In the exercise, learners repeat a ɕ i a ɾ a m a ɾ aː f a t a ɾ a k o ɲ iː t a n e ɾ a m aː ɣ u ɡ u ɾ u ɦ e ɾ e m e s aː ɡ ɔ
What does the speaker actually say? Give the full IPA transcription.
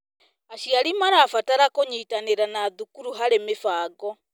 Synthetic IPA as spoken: a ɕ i a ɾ i m a ɾ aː f a t a ɾ a k o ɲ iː t a n e ɾ a n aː ð u k u ɾ u ɦ a ɾ e m e f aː ɡ ɔ